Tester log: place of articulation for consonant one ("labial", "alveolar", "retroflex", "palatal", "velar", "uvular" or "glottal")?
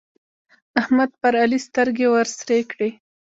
glottal